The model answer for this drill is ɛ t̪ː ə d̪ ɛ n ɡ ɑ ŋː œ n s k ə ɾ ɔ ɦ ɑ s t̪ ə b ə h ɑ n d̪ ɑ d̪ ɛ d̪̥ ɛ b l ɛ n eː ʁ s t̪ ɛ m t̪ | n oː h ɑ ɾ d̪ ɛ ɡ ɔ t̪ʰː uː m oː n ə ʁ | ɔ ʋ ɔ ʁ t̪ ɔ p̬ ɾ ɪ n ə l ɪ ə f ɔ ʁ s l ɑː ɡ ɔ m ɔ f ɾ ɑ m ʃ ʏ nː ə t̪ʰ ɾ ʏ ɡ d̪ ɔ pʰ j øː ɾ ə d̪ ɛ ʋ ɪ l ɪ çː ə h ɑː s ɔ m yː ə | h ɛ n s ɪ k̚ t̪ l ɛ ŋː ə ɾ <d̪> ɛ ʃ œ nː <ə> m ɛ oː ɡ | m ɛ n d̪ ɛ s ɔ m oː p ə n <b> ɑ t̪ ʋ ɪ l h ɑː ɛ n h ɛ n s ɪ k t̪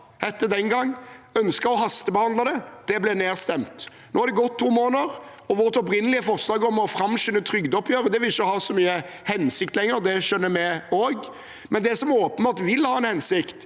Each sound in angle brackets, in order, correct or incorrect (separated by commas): correct, correct, correct